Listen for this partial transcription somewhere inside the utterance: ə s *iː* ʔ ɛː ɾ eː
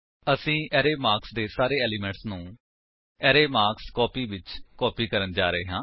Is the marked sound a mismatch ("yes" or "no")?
yes